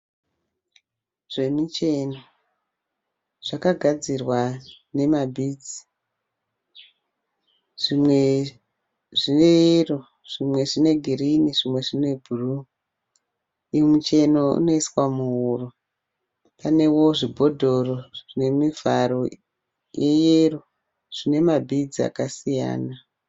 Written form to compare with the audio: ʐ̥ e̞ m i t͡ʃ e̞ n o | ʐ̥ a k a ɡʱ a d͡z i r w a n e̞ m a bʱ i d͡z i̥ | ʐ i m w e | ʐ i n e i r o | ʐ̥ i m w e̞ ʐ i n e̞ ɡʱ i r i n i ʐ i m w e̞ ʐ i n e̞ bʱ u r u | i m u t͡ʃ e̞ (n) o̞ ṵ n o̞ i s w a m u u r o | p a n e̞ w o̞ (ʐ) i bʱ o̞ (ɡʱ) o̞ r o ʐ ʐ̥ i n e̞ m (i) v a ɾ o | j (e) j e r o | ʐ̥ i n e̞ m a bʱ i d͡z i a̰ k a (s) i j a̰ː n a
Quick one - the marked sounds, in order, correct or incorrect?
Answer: correct, correct, incorrect: dʱ, correct, correct, correct

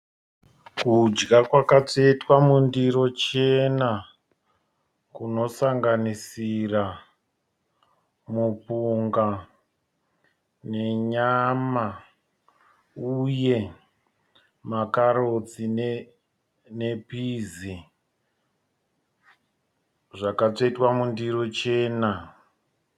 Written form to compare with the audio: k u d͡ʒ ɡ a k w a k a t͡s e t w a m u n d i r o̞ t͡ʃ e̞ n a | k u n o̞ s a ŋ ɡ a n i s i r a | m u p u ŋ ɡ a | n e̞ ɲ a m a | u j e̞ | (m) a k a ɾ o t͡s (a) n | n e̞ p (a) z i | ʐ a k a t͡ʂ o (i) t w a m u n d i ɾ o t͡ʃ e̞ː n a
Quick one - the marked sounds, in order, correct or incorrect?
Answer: correct, incorrect: i, incorrect: i, correct

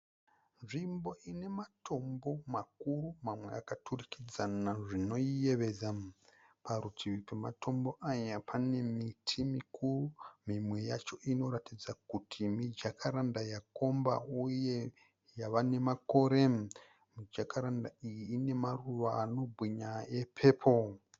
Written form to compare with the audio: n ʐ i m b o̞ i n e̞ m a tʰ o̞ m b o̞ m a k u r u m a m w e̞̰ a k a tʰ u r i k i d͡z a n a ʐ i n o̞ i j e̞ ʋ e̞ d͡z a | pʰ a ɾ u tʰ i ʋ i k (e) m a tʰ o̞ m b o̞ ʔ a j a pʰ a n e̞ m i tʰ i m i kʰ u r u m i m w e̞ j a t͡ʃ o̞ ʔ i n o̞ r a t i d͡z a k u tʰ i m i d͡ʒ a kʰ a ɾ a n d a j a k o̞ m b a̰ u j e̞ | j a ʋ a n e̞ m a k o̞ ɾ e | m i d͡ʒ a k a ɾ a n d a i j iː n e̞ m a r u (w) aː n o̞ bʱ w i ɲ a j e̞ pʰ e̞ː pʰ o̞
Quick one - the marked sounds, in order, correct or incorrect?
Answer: correct, incorrect: ʋ

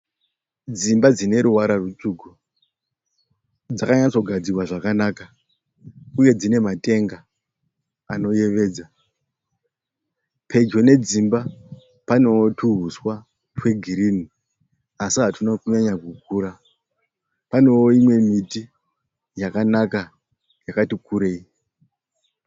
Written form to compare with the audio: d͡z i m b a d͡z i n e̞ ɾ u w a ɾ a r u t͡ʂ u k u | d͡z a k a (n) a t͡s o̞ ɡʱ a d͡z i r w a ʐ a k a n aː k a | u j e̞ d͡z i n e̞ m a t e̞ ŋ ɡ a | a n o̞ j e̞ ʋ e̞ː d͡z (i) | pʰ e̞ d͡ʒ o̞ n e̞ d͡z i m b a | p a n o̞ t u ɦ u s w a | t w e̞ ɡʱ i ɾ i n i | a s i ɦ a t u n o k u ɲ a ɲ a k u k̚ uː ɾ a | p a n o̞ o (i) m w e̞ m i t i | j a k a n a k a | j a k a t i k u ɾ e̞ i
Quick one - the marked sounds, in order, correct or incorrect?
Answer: incorrect: ɲ, incorrect: a, correct

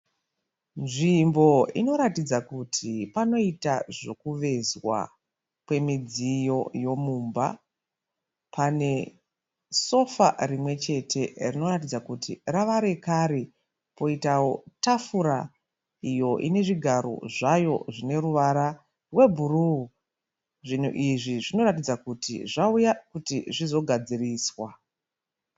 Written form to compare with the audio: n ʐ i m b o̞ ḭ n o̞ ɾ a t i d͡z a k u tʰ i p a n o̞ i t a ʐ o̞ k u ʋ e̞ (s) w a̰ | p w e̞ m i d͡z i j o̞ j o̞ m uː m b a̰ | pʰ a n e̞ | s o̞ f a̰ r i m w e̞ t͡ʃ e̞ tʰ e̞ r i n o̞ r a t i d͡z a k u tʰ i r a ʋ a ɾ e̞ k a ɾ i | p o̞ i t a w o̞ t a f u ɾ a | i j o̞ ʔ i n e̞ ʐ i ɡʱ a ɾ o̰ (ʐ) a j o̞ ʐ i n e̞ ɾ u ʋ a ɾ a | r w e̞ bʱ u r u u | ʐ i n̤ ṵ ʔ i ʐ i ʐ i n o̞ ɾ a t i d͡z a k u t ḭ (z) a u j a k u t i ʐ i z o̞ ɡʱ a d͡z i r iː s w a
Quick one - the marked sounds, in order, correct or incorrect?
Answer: incorrect: z, correct, incorrect: ʐ

